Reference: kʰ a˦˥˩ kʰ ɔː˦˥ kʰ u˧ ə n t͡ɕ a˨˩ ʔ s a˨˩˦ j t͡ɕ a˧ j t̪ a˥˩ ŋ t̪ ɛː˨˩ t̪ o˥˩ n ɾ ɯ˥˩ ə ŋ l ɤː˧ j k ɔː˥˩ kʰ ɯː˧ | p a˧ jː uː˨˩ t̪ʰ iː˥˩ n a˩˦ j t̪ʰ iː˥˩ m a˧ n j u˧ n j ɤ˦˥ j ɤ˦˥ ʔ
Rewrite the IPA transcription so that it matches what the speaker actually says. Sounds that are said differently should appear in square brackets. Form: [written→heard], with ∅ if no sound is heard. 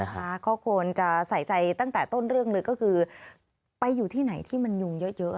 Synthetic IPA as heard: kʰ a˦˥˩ kʰ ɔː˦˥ kʰ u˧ ə n t͡ɕ a˨˩ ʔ s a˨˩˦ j t͡ɕ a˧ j t̪ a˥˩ ŋ t̪ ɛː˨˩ t̪ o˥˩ n ɾ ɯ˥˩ ə ŋ l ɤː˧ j k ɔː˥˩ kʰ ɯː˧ | p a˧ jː uː˨˩ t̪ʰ iː˥˩ n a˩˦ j t̪ʰ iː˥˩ m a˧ n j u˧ [n→ŋ] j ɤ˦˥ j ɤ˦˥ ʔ